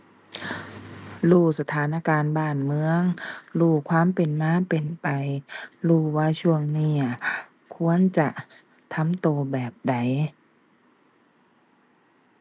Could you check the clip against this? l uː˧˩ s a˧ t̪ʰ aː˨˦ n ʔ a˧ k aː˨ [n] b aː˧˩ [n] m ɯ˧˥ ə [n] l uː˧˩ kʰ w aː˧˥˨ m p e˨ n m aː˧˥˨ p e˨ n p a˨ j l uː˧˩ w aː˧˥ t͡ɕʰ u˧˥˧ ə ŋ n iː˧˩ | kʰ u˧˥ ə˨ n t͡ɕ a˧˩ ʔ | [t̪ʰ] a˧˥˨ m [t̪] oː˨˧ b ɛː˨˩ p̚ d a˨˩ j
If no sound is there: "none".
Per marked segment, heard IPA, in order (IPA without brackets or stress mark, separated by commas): n, n, ŋ, t̪ʰ, t̪